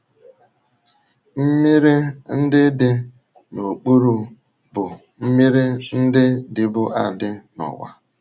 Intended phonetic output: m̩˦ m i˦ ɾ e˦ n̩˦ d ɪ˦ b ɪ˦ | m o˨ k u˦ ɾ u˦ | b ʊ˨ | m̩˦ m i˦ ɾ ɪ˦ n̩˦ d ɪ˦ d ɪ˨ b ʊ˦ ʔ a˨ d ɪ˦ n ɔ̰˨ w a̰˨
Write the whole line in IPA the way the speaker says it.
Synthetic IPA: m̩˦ m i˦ ɾ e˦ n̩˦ d ɪ˦ d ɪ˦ | n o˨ k͡p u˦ ɾ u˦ | b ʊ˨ | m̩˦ m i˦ ɾ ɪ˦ n̩˦ d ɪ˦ d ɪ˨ b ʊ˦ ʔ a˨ d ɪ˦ n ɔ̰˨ w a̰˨

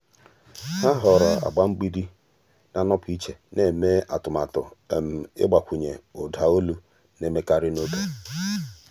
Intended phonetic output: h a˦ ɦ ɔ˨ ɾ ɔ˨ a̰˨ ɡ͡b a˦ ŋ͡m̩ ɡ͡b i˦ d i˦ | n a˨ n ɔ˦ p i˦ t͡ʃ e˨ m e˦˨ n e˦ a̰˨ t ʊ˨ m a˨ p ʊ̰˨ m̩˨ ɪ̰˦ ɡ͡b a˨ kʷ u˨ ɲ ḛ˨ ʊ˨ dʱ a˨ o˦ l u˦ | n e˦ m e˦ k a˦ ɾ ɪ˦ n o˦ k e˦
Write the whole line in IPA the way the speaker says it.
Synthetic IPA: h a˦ ɦ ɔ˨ ɾ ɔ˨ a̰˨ ɡ͡b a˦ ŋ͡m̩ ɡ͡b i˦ d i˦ | n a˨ n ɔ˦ p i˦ t͡ʃ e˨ n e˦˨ m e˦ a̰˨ t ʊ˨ m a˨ t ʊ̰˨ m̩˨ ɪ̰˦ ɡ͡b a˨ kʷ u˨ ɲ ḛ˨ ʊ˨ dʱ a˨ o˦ l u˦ | n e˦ m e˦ k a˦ ɾ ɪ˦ n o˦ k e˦

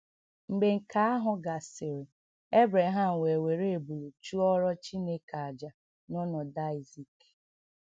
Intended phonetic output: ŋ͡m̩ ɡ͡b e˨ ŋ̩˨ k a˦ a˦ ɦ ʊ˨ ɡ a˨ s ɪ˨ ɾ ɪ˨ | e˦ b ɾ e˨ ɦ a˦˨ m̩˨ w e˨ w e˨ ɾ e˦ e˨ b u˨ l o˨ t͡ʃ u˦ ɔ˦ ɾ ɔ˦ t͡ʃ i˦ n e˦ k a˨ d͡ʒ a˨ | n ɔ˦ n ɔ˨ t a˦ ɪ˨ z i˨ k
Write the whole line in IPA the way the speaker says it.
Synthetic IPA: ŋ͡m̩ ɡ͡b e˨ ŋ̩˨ k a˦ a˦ ɦ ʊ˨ ɡ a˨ s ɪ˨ ɾ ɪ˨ | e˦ b ɾ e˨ ɦ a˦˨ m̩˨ w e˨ w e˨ ɾ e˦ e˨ b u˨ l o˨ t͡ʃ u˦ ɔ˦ ɾ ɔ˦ t͡ʃ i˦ n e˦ k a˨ d͡ʒ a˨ | n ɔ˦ n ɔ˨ d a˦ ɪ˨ z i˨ k

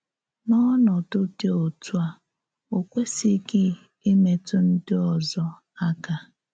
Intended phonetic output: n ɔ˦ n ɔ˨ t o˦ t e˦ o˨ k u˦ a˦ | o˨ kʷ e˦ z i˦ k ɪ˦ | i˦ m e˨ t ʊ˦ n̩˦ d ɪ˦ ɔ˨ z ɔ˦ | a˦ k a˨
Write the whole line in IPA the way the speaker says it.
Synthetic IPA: n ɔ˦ n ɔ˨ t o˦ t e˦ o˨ t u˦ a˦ | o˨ kʷ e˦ s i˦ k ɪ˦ | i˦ m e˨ t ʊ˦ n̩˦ d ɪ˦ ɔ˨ z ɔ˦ | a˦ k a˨

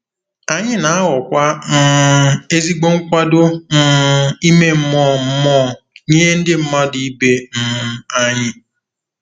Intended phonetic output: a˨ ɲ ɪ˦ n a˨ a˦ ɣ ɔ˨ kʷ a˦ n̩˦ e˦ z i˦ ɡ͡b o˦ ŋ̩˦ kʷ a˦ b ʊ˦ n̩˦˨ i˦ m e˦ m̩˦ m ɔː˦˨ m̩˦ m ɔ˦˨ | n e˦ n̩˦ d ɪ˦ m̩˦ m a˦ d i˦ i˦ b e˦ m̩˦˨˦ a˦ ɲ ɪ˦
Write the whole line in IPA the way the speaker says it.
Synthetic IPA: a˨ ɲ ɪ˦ n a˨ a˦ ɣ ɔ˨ kʷ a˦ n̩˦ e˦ z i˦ ɡ͡b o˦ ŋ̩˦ kʷ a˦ d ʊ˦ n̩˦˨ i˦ m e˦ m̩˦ m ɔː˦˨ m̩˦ m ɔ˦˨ | ɲ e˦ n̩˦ d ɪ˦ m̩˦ m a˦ d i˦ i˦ b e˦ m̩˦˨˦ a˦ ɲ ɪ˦

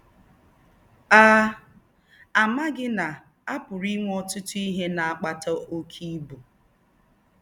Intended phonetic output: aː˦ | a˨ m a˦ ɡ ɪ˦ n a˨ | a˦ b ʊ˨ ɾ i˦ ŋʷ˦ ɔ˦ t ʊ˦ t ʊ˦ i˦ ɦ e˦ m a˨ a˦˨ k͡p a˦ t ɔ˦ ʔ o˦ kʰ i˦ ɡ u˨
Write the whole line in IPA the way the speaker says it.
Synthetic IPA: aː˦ | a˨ m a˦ ɡ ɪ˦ n a˨ | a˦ p ʊ˨ ɾ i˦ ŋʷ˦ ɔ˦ t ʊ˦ t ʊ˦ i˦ ɦ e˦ n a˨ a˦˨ k͡p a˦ t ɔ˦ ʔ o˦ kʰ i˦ b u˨

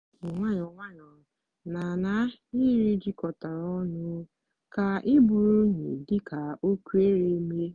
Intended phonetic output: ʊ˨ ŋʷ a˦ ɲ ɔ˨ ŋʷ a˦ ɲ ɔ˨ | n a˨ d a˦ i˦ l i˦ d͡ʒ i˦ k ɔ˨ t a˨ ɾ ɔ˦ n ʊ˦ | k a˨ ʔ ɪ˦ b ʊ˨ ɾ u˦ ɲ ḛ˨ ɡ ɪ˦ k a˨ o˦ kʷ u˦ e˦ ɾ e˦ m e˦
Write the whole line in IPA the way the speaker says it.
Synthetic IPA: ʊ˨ ŋʷ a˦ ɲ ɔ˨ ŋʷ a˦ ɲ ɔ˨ | n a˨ n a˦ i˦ ɾ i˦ d͡ʒ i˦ k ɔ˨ t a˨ ɾ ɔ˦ n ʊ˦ | k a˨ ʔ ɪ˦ b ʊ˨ ɾ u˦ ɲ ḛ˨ d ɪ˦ k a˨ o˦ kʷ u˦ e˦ ɾ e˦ m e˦

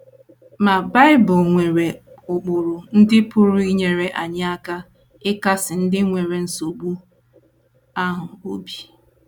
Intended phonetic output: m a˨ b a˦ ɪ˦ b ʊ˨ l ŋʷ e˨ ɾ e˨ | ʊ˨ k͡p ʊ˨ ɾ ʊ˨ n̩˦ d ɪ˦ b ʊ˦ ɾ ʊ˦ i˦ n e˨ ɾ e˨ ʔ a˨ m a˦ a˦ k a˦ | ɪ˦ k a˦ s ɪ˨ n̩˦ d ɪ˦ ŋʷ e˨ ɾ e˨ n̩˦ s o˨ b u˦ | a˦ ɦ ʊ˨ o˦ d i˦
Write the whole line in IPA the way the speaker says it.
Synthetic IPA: m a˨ b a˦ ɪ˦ b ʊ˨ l ŋʷ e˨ ɾ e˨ | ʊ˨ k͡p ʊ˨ ɾ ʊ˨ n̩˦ d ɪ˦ p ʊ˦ ɾ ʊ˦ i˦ ɲ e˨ ɾ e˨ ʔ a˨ ɲ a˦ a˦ k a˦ | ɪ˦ k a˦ s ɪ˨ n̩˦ d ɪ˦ ŋʷ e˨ ɾ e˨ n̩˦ s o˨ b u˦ | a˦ ɦ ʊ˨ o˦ b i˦

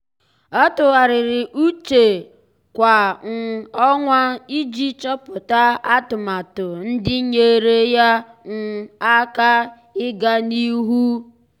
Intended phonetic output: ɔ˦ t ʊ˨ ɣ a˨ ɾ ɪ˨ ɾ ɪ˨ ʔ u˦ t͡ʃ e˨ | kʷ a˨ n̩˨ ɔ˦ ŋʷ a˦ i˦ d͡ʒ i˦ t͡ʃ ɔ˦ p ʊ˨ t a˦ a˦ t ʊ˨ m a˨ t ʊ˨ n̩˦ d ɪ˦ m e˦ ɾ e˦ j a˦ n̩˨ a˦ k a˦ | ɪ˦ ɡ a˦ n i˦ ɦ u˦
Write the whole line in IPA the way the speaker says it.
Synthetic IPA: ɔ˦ t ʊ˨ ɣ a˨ ɾ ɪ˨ ɾ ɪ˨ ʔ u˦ t͡ʃ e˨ | kʷ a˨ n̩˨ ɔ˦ ŋʷ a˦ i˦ d͡ʒ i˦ t͡ʃ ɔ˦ p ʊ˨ t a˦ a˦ t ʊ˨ m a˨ t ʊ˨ n̩˦ d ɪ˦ ɲ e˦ ɾ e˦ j a˦ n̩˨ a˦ k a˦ | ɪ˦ ɡ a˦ n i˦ ɦ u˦

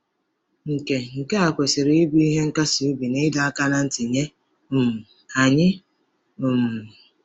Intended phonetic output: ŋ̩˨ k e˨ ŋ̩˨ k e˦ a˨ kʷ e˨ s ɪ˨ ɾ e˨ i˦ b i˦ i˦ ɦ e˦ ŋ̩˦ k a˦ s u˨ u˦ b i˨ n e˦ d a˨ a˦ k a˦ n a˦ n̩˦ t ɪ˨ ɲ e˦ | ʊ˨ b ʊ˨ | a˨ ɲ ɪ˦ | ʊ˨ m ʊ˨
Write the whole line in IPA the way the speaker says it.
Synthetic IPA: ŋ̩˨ k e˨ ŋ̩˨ k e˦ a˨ kʷ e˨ s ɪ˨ ɾ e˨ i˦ b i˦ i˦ ɦ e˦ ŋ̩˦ k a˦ s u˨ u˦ b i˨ n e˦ d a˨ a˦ k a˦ n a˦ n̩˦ t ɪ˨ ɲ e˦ | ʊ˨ m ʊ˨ | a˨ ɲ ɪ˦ | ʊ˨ m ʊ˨

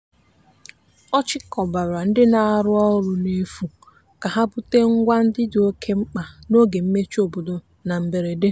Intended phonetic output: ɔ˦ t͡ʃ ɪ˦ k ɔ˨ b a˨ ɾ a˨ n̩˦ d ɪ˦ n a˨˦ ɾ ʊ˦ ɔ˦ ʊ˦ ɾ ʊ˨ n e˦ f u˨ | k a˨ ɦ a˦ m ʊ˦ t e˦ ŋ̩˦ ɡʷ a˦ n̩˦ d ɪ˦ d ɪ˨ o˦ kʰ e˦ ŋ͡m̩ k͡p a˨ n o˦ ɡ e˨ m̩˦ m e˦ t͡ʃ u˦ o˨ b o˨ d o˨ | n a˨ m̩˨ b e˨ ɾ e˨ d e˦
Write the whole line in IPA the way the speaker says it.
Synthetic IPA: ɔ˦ t͡ʃ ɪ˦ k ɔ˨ b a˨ ɾ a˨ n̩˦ d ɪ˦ n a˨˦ ɾ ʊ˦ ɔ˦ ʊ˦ ɾ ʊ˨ n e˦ f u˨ | k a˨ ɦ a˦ b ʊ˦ t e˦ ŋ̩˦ ɡʷ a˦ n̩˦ d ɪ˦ d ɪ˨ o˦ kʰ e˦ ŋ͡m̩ k͡p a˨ n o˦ ɡ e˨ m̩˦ m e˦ t͡ʃ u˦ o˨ b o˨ d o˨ | n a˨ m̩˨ b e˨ ɾ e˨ d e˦

